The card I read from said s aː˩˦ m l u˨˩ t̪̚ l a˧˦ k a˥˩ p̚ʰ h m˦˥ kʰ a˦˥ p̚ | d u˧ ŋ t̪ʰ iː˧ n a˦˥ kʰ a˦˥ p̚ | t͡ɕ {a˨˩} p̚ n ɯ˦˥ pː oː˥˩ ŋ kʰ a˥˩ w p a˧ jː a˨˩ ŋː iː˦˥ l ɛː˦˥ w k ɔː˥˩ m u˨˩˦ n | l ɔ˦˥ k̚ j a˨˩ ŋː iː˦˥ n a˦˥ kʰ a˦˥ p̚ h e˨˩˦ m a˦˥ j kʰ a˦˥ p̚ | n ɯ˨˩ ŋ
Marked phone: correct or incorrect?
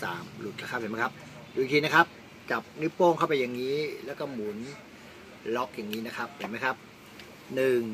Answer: correct